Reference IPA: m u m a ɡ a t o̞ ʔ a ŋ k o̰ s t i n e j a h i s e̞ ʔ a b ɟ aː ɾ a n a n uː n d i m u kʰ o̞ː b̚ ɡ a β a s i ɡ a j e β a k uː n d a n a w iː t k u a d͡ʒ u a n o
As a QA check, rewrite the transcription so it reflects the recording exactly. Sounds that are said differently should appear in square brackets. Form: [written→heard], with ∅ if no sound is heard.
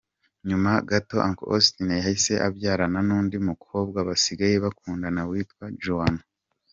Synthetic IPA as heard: [m→ɲ] u m a ɡ a t o̞ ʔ a ŋ k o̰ s t i n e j a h i s e̞ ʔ a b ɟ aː ɾ a n a n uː n d i m u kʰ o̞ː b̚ ɡ a β a s i ɡ a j e β a k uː n d a n a w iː t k [u→w] a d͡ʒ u a n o

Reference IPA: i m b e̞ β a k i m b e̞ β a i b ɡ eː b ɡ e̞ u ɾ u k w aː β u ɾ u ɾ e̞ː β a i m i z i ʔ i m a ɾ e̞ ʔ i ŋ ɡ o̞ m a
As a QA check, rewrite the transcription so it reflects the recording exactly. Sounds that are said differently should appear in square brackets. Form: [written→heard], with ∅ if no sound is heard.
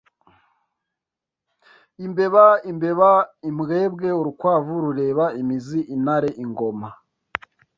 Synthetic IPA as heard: i m b e̞ β a [k→∅] i m b e̞ β a i [b→m] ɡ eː b ɡ e̞ u ɾ u k w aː [β→v] u ɾ u ɾ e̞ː β a i m i z i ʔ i [m→n] a ɾ e̞ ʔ i ŋ ɡ o̞ m a

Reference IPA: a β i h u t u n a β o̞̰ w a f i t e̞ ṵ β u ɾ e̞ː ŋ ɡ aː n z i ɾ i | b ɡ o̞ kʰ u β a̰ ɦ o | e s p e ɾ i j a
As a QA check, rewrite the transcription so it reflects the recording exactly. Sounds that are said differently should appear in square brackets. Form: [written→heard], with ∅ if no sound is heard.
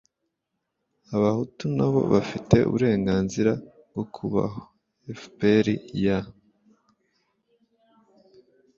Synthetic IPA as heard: a β [i→a] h u t u n a β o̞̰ [w→β] a f i t e̞ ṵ β u ɾ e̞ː ŋ ɡ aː n z i ɾ [i→a] | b ɡ o̞ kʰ u β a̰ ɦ o | e [s→f] p e ɾ i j a

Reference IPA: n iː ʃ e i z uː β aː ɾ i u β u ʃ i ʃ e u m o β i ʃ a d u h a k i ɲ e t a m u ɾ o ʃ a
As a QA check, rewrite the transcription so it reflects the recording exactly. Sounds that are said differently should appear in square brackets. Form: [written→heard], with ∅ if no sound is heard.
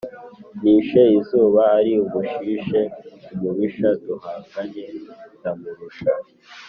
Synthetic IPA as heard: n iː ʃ e i z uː β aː ɾ i u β u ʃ i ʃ e u m [o→u] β i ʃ a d u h a k [i→a] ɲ e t a m u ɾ [o→u] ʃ a

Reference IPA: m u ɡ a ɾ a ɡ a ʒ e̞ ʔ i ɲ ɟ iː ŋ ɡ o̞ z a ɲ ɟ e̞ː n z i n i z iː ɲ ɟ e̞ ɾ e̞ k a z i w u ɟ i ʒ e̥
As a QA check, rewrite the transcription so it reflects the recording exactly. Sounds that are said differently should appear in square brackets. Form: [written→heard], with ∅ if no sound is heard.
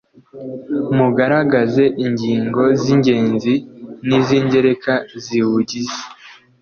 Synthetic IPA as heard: m u ɡ a ɾ a ɡ a [ʒ→z] e̞ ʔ i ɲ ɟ iː ŋ ɡ o̞ z [a→i] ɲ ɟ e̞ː n z i n i z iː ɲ ɟ e̞ ɾ e̞ k a z i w u ɟ i [ʒ→z] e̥

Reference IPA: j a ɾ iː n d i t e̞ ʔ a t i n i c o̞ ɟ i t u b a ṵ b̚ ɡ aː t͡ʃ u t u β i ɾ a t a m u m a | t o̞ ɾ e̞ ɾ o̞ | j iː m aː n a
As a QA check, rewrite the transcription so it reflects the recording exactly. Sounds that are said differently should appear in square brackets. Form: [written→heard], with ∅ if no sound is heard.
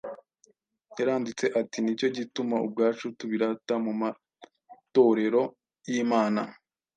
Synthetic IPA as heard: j a ɾ [iː→aː] n d i [t→t͡s] e̞ ʔ a t i n i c o̞ ɟ i t u [b→m] a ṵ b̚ ɡ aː t͡ʃ u t u β i ɾ a t a m u m a | t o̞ ɾ e̞ ɾ o̞ | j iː m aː n a

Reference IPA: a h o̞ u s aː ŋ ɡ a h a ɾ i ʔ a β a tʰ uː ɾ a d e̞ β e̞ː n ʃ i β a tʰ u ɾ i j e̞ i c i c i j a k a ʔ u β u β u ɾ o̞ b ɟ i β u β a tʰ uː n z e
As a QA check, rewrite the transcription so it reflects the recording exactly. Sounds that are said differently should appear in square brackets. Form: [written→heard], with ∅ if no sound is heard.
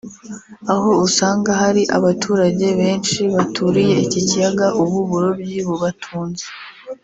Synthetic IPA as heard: a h o̞ u s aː ŋ ɡ a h a ɾ i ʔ a β a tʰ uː ɾ a [d→ɟ] e̞ β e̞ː n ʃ i β a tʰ u ɾ i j e̞ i c i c i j a [k→ɡ] a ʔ u β u β u ɾ o̞ b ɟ i β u β a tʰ uː n z e

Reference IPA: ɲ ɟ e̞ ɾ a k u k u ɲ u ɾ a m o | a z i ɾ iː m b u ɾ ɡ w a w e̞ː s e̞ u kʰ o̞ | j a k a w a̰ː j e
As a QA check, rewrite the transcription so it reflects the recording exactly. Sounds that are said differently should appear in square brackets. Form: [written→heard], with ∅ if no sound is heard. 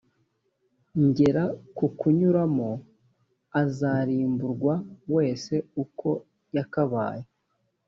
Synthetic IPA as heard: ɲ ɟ e̞ ɾ a k u k u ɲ u ɾ a m o | a z [i→a] ɾ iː m b u ɾ ɡ w a w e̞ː s e̞ u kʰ o̞ | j a k a [w→β] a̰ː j e

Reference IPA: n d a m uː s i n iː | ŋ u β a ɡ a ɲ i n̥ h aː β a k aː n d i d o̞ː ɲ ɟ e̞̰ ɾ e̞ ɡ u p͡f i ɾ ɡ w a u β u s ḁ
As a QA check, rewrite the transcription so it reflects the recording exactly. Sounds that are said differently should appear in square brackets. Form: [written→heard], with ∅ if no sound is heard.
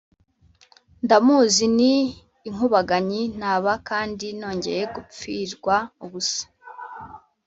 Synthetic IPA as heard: n d a m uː [s→z] i n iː | ŋ u β a ɡ a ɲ i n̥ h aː β a k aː n d i [d→n] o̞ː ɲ ɟ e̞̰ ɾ e̞ ɡ u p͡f i ɾ ɡ w a u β u s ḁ

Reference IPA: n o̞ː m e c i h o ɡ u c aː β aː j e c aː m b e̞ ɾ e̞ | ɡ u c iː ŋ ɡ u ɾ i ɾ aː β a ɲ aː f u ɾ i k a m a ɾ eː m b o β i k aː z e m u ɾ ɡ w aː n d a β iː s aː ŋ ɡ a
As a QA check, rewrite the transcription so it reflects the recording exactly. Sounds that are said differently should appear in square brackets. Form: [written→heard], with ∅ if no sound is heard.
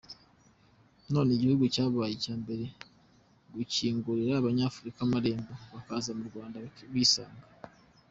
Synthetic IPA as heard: n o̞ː [m→n] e [c→ɟ] i h [o→u] ɡ u c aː β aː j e c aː m b e̞ ɾ e̞ | ɡ u c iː ŋ ɡ u ɾ i ɾ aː β a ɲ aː f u ɾ i k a m a ɾ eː m b o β [i→a] k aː z [e→a] m u ɾ ɡ w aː n d a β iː s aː ŋ ɡ a

